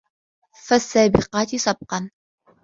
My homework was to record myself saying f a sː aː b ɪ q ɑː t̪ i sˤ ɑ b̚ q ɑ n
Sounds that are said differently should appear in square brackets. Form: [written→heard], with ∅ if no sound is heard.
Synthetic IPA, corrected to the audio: f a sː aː b ɪ q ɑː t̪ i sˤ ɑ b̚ q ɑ n